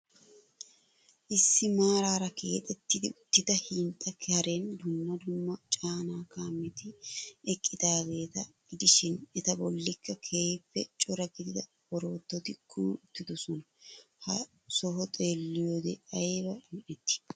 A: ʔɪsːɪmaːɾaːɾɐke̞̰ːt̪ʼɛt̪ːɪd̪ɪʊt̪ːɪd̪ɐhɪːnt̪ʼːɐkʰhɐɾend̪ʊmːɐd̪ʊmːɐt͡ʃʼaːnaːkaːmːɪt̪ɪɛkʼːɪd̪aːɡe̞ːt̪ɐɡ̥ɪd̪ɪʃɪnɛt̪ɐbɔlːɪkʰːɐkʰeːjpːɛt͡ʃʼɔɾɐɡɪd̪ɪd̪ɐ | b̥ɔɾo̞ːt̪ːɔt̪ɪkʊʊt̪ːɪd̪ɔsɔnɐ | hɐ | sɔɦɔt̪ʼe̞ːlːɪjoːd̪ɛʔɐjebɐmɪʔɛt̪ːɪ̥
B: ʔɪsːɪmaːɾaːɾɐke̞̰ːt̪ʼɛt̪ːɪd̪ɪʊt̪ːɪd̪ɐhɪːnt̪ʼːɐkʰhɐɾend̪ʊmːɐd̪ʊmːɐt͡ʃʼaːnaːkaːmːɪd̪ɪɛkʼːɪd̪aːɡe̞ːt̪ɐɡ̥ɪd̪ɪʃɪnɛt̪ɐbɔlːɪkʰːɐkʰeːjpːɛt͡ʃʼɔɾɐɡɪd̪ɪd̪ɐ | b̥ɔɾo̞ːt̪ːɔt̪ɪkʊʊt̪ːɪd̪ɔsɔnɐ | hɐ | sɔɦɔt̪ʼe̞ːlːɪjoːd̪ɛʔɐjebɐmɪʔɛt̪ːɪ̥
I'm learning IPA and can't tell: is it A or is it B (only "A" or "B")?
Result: A